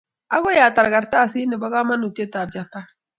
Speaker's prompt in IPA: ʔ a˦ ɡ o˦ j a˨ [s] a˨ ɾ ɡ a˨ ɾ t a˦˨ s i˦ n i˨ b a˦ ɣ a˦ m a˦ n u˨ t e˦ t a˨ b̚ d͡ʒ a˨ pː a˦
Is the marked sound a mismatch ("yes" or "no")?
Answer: yes